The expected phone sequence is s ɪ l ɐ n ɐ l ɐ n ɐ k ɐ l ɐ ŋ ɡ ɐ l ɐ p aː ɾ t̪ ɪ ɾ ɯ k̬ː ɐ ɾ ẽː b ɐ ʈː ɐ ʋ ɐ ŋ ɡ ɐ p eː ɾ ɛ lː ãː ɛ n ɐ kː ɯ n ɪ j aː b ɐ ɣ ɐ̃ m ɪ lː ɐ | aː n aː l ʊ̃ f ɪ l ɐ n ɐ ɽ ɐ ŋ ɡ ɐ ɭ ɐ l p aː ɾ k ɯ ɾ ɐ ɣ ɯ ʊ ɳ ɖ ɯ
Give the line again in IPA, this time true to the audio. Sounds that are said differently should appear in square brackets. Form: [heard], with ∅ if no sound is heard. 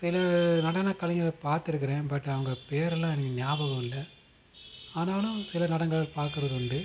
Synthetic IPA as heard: s ɪ l ɐ n ɐ [ɽ] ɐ n ɐ k ɐ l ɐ ŋ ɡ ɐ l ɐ p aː ɾ t̪ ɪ ɾ ɯ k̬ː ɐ ɾ ẽː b ɐ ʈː ɐ ʋ ɐ ŋ ɡ ɐ p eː ɾ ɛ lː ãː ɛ n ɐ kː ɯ n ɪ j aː b ɐ ɣ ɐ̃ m ɪ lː ɐ | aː n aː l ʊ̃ [s] ɪ l ɐ n ɐ ɽ ɐ ŋ ɡ ɐ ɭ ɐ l p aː ɾ k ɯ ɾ ɐ [ð] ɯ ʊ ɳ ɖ ɯ